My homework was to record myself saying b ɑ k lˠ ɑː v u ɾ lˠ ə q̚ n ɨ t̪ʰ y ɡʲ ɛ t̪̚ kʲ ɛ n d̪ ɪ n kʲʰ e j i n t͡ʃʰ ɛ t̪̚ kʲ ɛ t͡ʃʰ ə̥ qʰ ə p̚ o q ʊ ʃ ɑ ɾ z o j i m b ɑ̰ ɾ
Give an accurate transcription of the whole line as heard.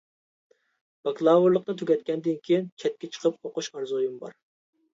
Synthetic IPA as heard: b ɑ k lˠ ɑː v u ɾ lˠ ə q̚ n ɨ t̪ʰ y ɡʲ ɛ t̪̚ kʲ ɛ n d̪ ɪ n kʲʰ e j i n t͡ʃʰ ɛ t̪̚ kʲ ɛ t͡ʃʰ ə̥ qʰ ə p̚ o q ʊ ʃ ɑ ɾ z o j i m b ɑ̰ ɾ